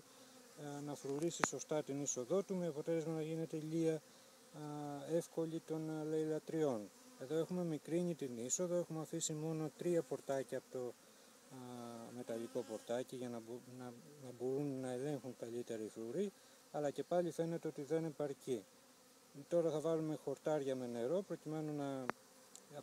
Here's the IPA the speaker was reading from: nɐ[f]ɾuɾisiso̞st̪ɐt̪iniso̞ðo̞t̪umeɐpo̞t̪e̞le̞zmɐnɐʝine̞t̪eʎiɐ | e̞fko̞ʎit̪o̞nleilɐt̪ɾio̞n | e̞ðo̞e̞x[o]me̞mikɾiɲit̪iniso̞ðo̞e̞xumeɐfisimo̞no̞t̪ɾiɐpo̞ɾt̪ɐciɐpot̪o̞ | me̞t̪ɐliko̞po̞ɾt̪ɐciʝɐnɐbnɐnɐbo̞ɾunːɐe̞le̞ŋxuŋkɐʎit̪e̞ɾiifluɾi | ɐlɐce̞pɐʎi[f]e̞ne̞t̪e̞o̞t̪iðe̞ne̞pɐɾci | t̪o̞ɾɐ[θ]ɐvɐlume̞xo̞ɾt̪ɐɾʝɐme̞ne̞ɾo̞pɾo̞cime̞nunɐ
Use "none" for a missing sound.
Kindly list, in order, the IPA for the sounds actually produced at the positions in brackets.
f, u, f, θ

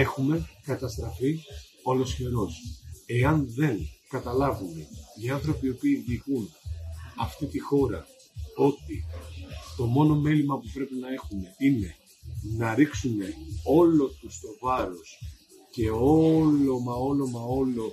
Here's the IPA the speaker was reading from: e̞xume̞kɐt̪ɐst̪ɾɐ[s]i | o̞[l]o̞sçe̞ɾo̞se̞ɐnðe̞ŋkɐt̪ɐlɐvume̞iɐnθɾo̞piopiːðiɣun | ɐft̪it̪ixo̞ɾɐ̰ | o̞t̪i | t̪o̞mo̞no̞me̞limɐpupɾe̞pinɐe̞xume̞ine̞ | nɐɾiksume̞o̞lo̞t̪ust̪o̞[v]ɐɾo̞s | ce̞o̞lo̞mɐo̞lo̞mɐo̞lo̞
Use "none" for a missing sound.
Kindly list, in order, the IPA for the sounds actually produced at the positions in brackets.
f, l, v

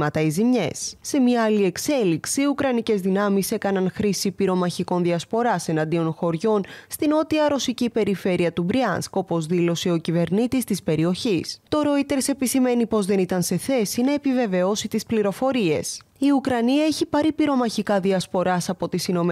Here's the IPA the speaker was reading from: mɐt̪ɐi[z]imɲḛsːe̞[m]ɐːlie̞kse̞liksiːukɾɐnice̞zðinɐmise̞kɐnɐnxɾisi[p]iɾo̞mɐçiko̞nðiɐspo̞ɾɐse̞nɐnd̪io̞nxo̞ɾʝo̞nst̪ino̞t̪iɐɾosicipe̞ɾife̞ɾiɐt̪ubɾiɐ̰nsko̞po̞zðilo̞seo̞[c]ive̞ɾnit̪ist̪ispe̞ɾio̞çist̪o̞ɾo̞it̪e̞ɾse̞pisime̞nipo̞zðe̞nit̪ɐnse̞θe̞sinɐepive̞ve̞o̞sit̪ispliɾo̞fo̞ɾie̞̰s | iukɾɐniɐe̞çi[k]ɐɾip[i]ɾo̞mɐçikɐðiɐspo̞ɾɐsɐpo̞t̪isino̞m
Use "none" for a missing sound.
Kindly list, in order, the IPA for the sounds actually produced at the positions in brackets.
z, m, p, c, p, i

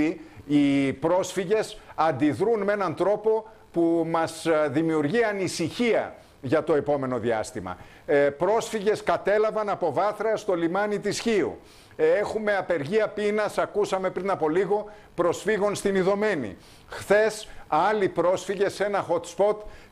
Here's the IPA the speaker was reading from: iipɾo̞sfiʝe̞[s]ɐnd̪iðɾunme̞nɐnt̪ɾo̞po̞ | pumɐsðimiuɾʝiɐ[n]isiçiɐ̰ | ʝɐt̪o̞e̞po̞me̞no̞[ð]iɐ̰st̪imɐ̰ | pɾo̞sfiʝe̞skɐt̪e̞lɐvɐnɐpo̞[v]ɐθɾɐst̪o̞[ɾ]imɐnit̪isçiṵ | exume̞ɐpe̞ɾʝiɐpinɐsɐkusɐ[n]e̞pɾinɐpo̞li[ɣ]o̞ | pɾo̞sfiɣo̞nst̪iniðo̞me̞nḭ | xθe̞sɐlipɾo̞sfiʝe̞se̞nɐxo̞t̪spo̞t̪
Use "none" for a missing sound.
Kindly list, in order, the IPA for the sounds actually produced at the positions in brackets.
s, n, ð, v, l, m, ɣ

